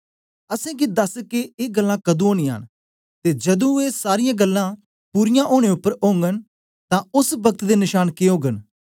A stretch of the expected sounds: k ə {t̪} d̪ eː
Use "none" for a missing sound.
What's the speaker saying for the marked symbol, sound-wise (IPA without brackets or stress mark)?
t̪